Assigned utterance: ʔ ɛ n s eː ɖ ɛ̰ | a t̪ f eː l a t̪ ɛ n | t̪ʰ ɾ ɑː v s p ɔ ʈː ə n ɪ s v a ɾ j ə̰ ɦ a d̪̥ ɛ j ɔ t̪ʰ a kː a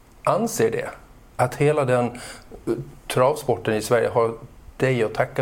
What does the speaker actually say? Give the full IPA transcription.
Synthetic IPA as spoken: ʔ a n s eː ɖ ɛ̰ | a t̪ h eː l a d̪ ɛ n | t̪ʰ ɾ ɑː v s p ɔ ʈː ə n ɪ s v æ ɾ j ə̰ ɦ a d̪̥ ɛ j ɔ t̪ʰ a kː a